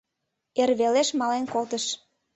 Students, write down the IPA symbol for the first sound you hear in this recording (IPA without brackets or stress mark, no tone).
e